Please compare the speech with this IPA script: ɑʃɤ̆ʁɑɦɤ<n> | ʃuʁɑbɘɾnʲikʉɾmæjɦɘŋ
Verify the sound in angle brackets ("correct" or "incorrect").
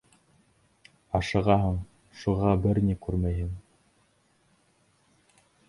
incorrect